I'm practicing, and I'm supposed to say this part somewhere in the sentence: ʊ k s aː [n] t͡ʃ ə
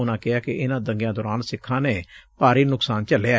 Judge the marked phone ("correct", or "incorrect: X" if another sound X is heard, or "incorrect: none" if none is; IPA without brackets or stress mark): correct